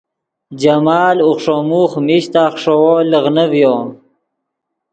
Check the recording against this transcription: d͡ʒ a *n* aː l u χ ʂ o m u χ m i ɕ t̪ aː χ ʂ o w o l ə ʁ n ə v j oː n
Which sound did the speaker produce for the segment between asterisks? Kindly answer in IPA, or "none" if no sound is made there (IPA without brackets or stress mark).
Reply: m